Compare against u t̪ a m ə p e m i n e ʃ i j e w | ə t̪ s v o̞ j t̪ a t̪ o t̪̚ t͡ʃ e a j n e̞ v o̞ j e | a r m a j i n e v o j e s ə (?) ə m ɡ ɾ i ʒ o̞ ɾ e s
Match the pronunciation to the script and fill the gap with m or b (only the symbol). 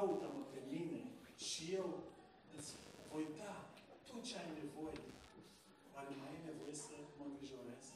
m